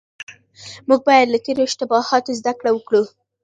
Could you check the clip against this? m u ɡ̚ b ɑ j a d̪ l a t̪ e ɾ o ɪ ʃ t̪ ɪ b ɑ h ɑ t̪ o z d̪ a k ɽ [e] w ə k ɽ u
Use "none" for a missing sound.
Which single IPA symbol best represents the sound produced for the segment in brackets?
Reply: a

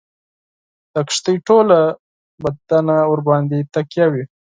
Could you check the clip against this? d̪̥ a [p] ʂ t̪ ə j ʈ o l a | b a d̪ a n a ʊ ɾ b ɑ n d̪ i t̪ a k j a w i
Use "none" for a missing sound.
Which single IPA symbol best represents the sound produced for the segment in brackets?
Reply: k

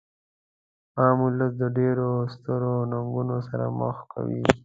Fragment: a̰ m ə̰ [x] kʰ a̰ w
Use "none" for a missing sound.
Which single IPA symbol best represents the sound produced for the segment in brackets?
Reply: x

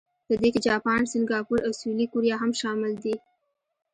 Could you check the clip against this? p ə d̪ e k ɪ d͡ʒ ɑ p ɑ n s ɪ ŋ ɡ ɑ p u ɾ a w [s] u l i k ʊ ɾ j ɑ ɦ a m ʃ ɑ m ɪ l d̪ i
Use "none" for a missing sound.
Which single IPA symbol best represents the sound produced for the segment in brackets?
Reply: s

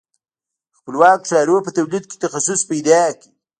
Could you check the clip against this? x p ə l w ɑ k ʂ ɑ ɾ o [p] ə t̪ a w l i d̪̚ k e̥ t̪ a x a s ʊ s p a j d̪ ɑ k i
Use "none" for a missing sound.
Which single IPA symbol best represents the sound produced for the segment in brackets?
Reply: p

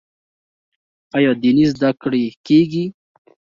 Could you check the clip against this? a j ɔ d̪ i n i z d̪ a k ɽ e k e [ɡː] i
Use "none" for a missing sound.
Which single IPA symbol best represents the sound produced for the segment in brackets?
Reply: ɡ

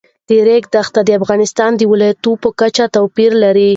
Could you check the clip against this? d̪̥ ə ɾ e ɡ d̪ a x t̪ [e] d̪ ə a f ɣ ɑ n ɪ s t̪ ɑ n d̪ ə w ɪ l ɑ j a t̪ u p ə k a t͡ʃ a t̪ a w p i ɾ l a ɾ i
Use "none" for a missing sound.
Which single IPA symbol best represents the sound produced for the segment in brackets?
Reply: a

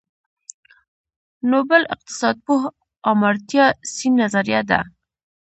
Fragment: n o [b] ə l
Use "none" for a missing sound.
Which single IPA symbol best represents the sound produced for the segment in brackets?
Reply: b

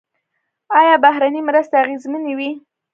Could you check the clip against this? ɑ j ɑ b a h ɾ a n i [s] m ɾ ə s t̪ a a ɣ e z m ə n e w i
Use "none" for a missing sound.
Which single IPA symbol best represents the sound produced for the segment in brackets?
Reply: none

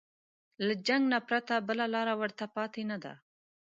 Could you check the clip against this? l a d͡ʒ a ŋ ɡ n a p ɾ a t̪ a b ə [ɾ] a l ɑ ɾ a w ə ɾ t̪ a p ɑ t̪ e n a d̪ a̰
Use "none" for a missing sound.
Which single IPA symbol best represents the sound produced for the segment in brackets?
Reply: l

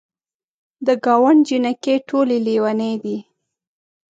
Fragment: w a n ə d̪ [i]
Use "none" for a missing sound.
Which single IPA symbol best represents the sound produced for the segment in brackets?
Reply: i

